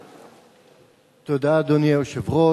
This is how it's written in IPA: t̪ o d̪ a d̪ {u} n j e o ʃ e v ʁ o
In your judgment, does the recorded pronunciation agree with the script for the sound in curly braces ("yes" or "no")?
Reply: no